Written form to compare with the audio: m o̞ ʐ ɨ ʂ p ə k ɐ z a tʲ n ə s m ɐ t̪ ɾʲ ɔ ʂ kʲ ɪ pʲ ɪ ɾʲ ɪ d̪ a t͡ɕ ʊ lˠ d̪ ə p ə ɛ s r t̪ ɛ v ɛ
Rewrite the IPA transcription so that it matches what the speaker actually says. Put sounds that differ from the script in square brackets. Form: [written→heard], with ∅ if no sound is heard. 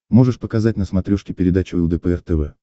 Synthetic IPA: m o̞ ʐ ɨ ʂ p ə k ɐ z a tʲ n ə s m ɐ t̪ ɾʲ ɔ ʂ kʲ ɪ pʲ ɪ ɾʲ ɪ d̪ a t͡ɕ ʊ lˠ d̪ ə p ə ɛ [s→∅] r t̪ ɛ v ɛ